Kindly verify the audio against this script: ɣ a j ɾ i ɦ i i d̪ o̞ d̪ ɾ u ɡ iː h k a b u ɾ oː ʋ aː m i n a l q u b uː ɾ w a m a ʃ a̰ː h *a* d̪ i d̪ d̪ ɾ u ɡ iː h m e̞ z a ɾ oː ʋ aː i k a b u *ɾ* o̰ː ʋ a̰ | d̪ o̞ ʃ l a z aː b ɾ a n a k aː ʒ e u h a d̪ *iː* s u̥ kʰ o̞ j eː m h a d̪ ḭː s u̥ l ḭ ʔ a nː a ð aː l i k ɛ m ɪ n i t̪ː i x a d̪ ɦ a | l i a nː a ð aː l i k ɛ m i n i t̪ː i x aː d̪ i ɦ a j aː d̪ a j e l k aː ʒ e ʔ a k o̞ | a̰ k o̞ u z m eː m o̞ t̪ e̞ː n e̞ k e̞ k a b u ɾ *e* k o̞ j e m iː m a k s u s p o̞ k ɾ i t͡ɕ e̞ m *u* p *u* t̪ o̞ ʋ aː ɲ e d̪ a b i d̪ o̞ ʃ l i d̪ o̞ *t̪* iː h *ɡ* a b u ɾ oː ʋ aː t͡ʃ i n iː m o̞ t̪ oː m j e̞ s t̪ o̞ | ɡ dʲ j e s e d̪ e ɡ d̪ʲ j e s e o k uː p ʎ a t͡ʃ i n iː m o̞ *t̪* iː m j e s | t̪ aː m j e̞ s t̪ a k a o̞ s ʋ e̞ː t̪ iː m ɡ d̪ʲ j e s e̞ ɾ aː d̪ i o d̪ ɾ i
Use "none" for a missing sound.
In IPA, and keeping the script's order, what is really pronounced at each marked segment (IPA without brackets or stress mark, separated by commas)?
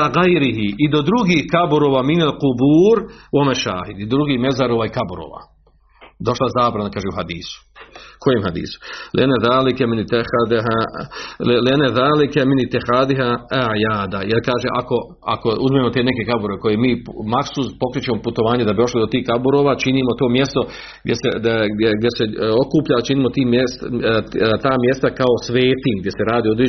i, ɾ, iː, e, o, u, t̪, k, t̪